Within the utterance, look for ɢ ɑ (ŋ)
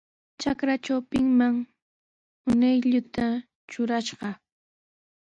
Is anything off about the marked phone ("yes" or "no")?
yes